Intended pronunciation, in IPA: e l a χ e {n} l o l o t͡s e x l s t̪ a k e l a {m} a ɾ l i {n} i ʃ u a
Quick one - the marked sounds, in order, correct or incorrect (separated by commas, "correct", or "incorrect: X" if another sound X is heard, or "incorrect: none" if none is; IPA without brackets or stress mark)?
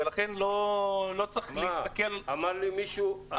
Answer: correct, correct, incorrect: m